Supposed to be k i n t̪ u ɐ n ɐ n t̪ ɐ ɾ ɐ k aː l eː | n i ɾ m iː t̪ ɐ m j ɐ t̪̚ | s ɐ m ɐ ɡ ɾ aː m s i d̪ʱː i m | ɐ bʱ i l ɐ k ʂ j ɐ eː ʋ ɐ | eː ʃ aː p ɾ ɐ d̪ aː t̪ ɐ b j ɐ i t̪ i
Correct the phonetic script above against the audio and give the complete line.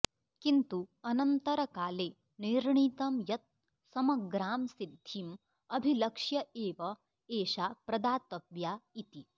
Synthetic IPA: k i n t̪ u ɐ n ɐ n t̪ ɐ ɾ ɐ k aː l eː | n i ɾ ɳ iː t̪ ɐ m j ɐ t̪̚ | s ɐ m ɐ ɡ ɾ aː m s i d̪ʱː i m | ɐ bʱ i l ɐ k ʂ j ɐ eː ʋ ɐ | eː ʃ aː p ɾ ɐ d̪ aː t̪ ɐ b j a i t̪ i

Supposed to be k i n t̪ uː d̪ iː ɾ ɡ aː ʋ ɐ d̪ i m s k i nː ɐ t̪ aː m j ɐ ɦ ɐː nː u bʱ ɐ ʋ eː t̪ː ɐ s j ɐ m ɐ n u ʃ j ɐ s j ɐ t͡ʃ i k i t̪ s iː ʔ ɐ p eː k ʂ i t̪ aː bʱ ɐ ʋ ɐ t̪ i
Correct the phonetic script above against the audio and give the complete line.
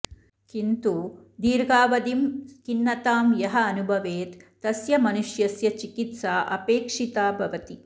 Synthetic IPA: k i n t̪ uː d̪ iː ɾ ɡ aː ʋ ɐ d̪ i m s k i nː ɐ t̪ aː m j ɐ ɦ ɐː n u bʱ ɐ ʋ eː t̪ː ɐ s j ɐ m ɐ n u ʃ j ɐ s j ɐ t͡ʃ i k i t̪ s aː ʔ ɐ p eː k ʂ i t̪ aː bʱ ɐ ʋ ɐ t̪ i

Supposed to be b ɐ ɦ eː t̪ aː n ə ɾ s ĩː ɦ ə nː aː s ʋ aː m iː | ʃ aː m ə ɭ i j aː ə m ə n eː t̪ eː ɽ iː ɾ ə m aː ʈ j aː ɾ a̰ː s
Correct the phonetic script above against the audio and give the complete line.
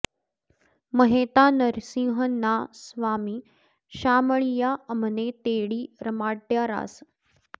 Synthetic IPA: m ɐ ɦ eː t̪ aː n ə ɾ s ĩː ɦ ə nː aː s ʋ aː m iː | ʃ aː m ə ɭ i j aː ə m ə n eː t̪ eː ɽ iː ɾ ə m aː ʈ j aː ɾ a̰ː s

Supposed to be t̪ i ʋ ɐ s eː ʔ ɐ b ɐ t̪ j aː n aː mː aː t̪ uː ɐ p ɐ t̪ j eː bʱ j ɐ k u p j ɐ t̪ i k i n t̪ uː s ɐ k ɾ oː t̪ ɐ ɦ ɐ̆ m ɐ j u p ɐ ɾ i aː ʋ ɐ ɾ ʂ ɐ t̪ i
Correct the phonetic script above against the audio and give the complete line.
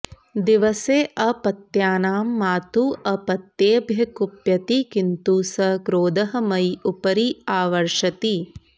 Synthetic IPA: d̪ i ʋ ɐ s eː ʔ ɐ p ɐ t̪ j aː n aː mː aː t̪ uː ɐ p ɐ t̪ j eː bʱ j ɐ k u p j ɐ t̪ i k i n t̪ uː s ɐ k ɾ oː d̪ ɐ ɦ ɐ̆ m ɐ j u p ɐ ɾ i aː ʋ ɐ ɾ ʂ ɐ t̪ i

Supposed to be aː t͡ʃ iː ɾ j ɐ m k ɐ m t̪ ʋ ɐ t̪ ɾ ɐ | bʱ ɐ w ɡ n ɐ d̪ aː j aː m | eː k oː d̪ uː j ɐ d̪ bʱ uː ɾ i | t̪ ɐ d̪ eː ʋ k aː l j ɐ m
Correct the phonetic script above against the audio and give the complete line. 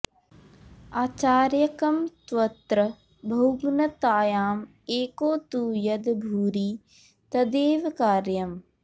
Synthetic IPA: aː t͡ʃ aː ɾ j ɐ k ɐ m t̪ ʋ ɐ t̪ ɾ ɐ | bʱ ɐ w ɡ n ɐ t̪ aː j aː m | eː k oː t̪ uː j ɐ d̪ bʱ uː ɾ i | t̪ ɐ d̪ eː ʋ k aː ɾ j ɐ m

